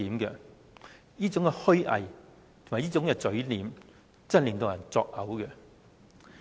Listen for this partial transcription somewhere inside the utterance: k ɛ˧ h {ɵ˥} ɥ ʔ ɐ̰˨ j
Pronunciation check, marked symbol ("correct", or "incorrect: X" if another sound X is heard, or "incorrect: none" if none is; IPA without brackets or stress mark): correct